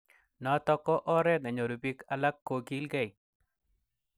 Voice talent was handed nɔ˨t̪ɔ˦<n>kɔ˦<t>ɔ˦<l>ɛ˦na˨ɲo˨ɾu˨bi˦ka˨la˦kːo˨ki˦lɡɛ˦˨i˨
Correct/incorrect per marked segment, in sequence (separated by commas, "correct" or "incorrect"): incorrect, incorrect, incorrect